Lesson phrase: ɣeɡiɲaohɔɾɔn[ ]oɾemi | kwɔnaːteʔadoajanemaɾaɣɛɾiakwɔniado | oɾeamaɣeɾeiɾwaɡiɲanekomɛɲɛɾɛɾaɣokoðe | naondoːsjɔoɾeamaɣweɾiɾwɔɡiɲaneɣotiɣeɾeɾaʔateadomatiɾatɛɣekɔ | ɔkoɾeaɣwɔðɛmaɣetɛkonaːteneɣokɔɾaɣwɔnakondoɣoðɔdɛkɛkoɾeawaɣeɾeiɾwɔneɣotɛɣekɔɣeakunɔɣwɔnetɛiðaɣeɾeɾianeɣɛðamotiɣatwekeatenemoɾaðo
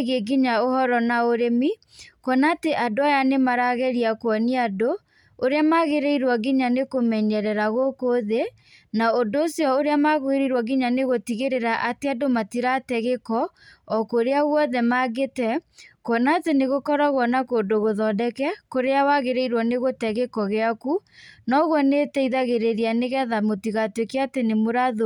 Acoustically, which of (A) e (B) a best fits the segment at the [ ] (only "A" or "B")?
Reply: B